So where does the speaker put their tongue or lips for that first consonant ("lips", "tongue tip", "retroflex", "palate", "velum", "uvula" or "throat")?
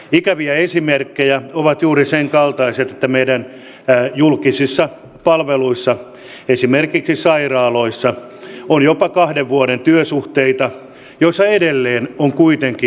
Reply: velum